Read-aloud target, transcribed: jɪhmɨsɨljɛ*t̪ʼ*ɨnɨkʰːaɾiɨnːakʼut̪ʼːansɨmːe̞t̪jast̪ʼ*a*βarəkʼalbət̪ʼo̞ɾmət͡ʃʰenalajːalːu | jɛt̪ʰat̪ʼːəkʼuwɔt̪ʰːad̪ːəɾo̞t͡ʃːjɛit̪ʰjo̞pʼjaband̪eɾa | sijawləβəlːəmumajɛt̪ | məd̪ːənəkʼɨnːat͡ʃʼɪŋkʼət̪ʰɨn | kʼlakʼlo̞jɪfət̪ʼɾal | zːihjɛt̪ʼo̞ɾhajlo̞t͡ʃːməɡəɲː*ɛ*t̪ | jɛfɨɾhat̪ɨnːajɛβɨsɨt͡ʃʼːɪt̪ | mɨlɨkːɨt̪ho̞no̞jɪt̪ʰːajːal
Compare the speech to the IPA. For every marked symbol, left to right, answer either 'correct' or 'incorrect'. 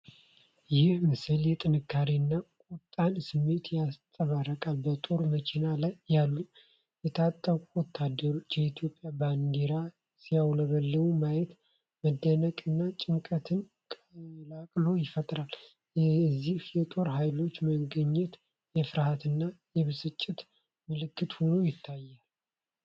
correct, incorrect: ə, correct

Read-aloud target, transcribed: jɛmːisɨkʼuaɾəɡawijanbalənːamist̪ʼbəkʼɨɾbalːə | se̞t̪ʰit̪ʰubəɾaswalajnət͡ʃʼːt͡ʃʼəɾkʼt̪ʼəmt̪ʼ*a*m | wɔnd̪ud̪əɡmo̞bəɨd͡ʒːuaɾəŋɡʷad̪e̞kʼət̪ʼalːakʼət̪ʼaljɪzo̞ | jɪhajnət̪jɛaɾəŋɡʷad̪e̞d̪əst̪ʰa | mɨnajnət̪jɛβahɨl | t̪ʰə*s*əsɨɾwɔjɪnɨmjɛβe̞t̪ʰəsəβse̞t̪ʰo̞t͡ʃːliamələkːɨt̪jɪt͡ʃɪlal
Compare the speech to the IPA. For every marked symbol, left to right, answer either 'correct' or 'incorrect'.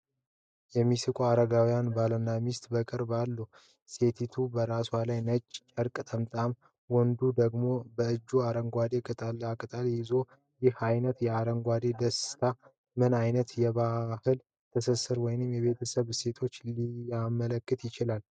correct, correct

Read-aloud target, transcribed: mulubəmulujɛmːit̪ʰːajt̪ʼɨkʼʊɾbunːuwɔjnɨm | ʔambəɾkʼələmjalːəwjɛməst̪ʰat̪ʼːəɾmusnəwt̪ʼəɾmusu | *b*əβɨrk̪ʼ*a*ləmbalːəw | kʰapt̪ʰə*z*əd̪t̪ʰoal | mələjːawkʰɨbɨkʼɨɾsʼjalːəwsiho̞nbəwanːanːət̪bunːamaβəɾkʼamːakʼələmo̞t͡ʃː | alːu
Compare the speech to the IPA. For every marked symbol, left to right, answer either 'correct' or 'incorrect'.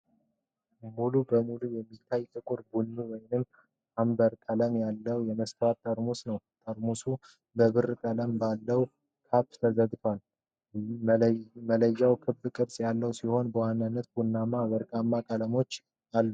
correct, incorrect: ə, correct

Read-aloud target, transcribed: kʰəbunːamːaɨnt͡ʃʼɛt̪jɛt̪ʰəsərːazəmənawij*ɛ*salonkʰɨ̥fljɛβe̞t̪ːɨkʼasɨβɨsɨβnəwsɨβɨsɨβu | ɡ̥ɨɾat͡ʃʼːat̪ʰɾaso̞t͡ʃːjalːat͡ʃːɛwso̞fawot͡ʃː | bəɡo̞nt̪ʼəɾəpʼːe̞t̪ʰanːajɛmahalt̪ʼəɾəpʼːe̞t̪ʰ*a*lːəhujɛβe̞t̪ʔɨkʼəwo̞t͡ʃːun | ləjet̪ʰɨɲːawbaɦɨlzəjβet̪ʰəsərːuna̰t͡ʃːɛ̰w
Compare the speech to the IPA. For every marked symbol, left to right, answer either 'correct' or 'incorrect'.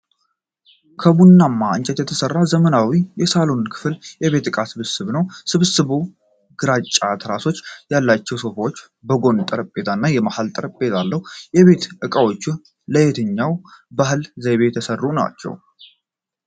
correct, correct

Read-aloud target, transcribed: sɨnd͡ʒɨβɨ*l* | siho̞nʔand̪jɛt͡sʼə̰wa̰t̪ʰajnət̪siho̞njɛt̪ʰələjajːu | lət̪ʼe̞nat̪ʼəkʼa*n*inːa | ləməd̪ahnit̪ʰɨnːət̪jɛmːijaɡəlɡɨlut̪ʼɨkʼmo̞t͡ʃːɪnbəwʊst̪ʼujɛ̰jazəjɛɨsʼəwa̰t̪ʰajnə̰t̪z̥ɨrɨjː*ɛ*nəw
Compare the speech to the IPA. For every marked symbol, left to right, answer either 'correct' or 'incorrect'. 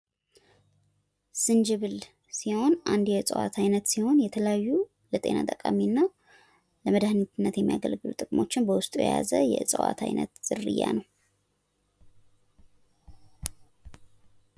correct, incorrect: m, incorrect: a

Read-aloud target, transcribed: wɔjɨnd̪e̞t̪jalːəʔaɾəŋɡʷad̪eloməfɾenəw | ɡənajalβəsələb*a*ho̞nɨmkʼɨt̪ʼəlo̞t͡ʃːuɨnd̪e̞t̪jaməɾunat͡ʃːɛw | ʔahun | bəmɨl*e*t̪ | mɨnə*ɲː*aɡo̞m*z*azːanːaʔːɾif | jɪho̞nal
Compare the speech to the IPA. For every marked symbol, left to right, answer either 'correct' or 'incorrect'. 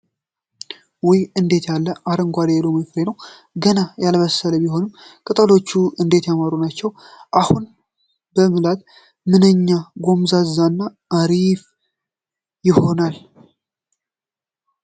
incorrect: i, incorrect: a, correct, correct

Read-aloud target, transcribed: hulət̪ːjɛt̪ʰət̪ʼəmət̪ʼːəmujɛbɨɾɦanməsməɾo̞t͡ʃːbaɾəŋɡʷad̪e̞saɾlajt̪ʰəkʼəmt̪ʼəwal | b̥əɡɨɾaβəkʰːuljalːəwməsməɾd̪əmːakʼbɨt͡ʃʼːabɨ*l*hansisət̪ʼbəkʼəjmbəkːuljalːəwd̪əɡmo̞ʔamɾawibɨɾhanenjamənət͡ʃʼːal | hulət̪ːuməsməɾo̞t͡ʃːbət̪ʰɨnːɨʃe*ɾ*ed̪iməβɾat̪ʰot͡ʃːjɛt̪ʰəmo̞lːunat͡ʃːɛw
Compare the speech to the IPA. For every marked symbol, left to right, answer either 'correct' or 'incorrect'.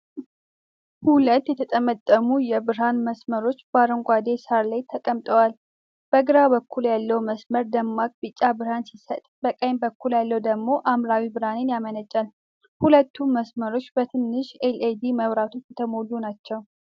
incorrect: ɾ, incorrect: l

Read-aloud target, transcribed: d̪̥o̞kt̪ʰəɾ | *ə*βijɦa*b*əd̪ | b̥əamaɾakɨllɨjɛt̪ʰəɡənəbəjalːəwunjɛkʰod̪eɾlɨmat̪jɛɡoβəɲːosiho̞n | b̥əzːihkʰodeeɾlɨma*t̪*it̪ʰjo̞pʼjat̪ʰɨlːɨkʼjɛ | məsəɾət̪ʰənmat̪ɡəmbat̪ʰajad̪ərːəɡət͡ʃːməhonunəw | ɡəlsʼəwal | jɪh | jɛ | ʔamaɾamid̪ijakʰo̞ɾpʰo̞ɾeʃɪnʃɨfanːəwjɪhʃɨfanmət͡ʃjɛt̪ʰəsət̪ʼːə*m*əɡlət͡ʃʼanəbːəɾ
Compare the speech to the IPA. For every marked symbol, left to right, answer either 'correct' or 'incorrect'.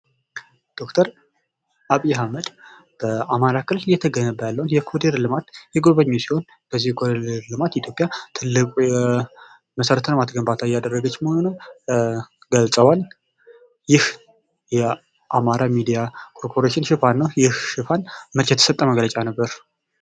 incorrect: a, incorrect: m, correct, correct

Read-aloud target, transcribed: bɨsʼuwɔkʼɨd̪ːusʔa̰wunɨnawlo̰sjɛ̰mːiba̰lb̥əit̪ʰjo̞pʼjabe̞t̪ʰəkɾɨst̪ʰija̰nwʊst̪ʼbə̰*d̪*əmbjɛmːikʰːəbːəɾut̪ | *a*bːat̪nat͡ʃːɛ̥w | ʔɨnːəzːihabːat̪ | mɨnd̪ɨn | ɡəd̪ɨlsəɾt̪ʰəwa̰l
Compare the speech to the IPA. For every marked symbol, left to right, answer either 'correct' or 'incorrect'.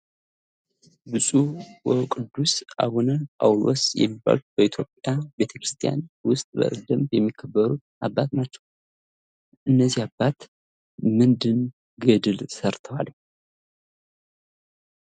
correct, correct

